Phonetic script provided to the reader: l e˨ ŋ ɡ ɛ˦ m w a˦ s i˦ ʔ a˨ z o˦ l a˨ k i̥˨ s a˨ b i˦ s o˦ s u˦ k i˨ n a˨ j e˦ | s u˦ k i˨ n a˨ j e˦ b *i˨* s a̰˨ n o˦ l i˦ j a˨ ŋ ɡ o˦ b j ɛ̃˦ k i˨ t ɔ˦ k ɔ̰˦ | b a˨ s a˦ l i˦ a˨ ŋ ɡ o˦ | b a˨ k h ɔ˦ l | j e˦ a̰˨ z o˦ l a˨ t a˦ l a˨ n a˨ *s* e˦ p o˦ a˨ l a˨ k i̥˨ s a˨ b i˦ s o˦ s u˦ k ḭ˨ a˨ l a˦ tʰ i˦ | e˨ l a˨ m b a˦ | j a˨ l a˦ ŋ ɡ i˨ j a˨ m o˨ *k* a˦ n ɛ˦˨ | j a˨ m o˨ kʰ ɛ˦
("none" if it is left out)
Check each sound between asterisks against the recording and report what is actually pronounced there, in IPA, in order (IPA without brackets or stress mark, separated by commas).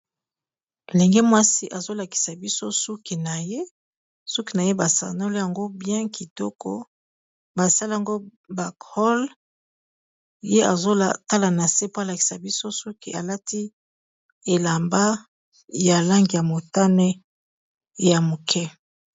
a˨, s, t